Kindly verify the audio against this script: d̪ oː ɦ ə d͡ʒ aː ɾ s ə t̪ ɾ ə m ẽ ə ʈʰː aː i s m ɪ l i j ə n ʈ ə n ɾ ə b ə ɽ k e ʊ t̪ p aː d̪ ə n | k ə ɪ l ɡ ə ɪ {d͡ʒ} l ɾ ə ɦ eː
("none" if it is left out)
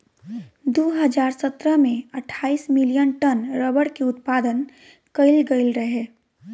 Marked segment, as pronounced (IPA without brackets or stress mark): none